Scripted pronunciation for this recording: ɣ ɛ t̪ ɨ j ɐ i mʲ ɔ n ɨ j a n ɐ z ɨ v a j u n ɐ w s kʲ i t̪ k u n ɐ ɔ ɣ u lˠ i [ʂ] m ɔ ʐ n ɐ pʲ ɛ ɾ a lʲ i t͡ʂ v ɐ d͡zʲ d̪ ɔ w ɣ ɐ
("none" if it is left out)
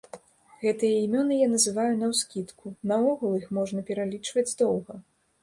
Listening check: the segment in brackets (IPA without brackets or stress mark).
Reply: x